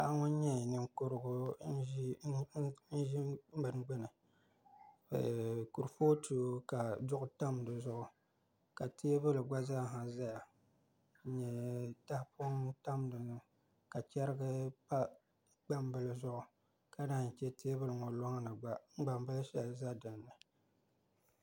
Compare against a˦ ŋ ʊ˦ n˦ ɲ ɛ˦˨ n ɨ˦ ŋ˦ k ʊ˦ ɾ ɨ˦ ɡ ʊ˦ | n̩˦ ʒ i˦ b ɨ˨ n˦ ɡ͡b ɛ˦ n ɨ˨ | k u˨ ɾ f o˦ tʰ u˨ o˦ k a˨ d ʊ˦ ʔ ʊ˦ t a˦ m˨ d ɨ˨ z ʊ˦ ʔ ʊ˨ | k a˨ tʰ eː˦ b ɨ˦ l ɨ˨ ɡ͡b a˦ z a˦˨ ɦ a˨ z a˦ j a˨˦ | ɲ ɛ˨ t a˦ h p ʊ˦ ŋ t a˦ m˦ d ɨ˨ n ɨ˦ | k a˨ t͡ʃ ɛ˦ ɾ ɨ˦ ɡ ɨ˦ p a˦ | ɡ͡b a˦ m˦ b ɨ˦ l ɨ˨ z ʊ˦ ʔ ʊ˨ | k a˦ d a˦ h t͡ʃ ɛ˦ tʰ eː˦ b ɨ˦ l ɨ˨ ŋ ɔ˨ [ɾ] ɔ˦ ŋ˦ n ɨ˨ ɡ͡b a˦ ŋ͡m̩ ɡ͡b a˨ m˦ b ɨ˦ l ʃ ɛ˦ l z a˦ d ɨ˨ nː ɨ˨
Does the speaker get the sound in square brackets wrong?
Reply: yes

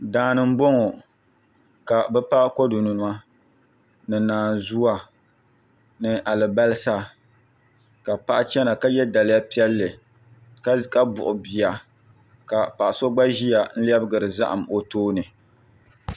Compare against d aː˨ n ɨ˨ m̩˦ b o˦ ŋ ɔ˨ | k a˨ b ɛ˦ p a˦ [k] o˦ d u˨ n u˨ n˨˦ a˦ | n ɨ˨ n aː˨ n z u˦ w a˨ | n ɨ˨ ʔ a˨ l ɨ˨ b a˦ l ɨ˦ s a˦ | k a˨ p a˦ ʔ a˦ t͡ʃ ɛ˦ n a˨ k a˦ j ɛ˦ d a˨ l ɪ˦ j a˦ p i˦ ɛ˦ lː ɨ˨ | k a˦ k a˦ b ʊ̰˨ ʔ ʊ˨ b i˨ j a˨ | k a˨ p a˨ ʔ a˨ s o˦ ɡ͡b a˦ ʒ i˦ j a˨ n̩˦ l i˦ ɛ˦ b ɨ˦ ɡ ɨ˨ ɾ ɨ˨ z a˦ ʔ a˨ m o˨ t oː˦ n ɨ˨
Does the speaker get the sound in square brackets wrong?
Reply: no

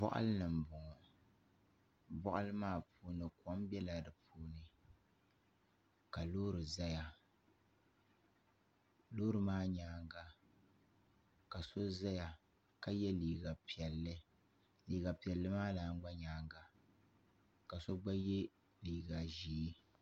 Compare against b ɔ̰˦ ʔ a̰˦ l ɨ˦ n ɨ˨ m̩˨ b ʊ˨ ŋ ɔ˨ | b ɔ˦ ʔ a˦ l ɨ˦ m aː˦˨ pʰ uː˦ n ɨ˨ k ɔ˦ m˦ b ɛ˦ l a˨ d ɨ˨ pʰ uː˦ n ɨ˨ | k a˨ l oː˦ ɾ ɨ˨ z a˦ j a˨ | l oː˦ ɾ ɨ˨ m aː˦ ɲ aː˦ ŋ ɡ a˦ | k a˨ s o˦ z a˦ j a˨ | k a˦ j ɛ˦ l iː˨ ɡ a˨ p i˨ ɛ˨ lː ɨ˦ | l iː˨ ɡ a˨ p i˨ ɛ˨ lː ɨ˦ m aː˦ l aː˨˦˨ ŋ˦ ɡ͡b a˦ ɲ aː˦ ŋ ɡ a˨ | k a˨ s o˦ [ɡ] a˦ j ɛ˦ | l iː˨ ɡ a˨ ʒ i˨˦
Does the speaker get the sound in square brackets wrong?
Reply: yes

